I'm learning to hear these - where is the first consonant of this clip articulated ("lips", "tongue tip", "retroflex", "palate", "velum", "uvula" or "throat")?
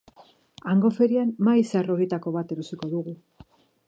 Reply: velum